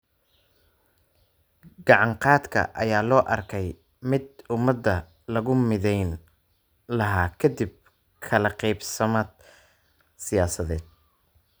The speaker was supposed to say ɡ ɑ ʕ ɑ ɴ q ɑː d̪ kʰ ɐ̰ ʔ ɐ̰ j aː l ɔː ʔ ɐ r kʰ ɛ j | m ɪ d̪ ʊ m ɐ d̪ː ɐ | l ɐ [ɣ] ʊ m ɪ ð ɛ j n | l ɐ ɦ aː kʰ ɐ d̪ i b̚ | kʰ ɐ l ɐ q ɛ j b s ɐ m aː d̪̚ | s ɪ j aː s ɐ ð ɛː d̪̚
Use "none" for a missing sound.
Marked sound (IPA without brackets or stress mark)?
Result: ɣ